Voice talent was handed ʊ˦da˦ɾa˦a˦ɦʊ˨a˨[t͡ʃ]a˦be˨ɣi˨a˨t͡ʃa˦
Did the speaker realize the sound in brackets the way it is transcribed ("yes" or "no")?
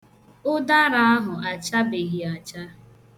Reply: yes